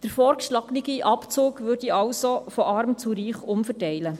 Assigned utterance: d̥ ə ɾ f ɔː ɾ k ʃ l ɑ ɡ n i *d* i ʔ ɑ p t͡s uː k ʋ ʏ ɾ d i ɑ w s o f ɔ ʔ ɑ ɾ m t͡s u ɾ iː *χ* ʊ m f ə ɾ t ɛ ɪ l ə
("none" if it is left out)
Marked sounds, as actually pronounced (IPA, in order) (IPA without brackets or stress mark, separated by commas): ɡ, χ